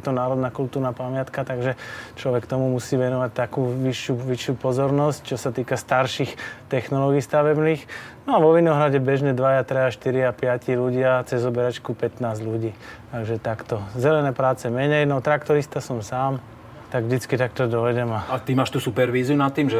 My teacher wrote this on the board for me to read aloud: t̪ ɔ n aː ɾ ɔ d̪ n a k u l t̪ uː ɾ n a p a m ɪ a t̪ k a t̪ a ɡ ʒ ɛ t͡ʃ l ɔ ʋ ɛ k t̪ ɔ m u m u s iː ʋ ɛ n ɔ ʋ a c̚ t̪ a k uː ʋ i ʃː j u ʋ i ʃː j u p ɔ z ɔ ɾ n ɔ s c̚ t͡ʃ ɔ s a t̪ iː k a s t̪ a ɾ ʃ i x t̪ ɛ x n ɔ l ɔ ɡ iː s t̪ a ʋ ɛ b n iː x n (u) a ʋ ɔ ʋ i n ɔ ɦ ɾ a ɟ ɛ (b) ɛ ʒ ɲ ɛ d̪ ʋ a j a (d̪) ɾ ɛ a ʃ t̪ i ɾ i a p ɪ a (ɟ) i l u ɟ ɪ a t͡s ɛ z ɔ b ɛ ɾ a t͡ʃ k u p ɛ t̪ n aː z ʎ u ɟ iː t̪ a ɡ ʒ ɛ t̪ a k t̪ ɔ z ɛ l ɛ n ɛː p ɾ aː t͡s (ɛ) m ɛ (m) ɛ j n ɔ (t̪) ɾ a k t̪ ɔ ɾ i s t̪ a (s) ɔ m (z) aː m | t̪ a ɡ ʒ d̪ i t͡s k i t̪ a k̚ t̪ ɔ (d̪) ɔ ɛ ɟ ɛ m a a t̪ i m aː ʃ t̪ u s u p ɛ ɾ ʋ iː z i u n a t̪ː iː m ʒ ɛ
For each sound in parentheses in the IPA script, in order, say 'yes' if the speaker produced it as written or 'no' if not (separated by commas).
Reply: no, yes, no, no, yes, no, yes, yes, no, yes